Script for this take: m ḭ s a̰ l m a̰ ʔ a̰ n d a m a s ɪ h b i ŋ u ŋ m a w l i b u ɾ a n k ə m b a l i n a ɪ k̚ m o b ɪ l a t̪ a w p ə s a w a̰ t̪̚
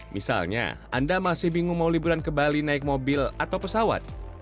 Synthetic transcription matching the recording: m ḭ s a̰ l ɲ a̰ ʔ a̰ n d a m a s ɪ h b i ŋ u ŋ m a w l i b u ɾ a n k ə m b a l i n a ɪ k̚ m o b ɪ l a t̪ a w p ə s a w a̰ t̪̚